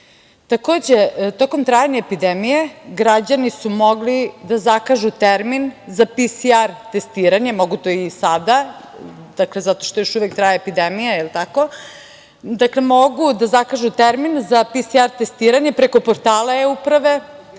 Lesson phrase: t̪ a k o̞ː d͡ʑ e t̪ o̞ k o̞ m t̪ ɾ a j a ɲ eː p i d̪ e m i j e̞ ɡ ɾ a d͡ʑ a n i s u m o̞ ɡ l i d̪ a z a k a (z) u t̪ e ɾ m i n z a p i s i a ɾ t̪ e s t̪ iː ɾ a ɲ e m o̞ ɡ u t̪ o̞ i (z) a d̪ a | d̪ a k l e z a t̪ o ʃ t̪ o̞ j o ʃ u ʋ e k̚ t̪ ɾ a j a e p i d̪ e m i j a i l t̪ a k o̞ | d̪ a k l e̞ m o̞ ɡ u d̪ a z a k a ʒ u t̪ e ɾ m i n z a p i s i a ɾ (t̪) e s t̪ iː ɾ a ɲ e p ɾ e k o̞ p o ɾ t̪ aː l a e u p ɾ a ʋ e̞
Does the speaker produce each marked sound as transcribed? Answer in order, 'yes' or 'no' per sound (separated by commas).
no, no, yes